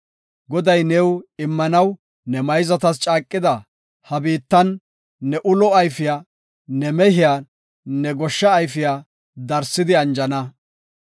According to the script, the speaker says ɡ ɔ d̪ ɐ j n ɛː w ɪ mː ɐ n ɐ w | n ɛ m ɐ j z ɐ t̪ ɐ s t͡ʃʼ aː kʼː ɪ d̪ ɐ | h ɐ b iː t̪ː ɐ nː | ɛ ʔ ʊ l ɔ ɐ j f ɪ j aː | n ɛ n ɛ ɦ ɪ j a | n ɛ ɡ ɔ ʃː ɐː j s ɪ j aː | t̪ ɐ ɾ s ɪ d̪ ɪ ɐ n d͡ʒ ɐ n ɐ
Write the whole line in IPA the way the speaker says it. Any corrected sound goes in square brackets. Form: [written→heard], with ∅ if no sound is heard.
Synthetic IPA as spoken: ɡ ɔ d̪ ɐ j n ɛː w ɪ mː ɐ n ɐ w | n ɛ m ɐ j z ɐ t̪ ɐ s t͡ʃʼ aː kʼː ɪ d̪ ɐ | h ɐ b iː t̪ː ɐ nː | ɛ ʔ ʊ l ɔ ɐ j f ɪ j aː | n ɛ [n→m] ɛ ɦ ɪ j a | n ɛ ɡ ɔ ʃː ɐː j [s→f] ɪ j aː | [t̪→d̪] ɐ ɾ s ɪ d̪ ɪ ɐ n d͡ʒ ɐ n ɐ